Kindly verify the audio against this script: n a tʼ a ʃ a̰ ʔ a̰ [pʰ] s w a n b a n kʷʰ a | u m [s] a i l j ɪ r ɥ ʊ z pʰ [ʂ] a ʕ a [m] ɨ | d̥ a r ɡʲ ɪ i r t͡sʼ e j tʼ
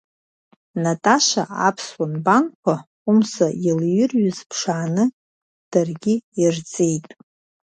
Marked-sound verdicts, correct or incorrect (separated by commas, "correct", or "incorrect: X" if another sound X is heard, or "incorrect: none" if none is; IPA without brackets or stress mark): correct, correct, correct, incorrect: n